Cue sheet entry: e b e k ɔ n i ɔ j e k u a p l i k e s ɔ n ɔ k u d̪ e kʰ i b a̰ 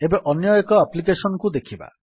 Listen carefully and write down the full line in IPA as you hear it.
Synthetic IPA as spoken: e b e ʔ ɔ n j ɔ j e k ɔ a p l i k e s ɔ n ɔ k u d̪ e kʰ i b a̰